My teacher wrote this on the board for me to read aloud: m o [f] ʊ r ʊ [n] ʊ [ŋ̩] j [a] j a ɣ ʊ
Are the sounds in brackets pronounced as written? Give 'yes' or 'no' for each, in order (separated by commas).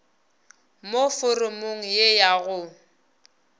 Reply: yes, no, yes, no